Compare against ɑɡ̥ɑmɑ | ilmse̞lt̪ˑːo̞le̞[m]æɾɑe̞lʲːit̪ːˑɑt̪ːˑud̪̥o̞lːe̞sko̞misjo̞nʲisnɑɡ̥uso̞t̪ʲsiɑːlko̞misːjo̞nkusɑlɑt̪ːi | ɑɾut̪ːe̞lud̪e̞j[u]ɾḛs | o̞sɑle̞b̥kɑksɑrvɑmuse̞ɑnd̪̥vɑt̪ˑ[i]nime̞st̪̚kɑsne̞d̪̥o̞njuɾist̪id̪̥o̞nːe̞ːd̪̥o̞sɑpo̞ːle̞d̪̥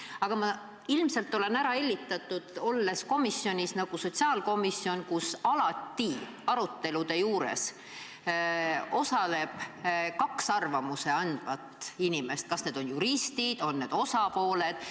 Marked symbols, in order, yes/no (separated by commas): no, no, yes